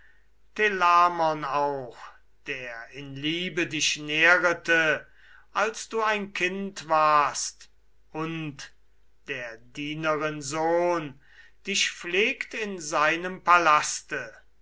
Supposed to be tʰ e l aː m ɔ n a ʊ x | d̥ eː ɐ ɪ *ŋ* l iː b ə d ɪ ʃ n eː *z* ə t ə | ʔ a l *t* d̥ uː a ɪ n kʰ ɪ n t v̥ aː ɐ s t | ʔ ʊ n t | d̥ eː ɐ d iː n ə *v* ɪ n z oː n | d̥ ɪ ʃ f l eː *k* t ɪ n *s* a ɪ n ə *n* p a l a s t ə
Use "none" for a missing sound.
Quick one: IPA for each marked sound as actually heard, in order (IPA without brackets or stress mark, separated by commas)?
n, ʁ, s, ʁ, k, z, m